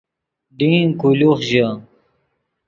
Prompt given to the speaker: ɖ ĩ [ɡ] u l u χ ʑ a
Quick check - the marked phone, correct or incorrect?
incorrect